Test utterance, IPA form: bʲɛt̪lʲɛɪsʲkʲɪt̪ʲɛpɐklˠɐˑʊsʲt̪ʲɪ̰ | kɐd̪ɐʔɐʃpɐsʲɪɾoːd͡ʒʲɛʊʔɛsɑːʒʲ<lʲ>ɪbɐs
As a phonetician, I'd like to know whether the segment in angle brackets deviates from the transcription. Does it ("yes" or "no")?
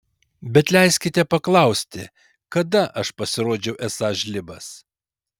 no